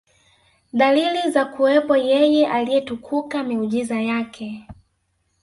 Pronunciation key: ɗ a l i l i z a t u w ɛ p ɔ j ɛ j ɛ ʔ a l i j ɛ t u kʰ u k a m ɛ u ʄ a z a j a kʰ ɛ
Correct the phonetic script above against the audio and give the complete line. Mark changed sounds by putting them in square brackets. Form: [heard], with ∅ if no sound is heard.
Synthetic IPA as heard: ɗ a l i l i z a [k] u w ɛ p ɔ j ɛ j ɛ ʔ a l i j ɛ t u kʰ u k a m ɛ u ʄ [i] z a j a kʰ ɛ